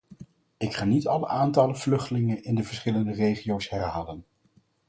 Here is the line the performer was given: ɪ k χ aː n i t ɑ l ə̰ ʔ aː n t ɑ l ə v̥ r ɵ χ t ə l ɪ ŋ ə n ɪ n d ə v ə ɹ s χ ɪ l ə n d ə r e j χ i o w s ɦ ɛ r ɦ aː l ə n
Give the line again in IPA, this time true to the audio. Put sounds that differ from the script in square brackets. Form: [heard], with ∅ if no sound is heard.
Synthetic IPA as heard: ɪ k χ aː n i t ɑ l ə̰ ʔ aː n t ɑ l ə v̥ [l] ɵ χ t ə l ɪ ŋ ə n ɪ n d ə v ə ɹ s χ ɪ l ə n d ə r e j χ i o w s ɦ ɛ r ɦ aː l ə n